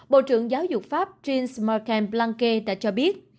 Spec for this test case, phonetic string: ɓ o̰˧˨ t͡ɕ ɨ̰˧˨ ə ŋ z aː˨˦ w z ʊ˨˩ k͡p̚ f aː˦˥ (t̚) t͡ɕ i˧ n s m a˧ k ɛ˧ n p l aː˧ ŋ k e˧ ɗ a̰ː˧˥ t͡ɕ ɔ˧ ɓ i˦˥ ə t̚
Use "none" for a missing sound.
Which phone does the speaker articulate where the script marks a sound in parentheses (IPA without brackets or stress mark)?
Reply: p̚